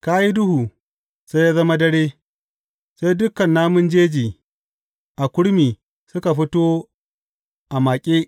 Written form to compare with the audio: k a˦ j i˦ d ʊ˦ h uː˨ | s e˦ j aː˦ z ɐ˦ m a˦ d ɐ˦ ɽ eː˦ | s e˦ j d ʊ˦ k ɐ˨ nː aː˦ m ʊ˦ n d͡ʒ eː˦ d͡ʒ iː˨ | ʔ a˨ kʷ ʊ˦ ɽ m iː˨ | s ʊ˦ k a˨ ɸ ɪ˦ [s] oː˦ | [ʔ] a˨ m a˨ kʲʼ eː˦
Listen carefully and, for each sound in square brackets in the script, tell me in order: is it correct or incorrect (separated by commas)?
incorrect, correct